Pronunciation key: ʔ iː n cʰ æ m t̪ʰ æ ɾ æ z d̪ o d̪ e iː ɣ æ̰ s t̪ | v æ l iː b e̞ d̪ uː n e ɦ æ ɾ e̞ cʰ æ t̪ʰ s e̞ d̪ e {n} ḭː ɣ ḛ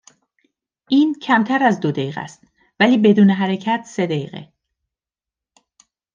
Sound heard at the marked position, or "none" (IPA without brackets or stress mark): none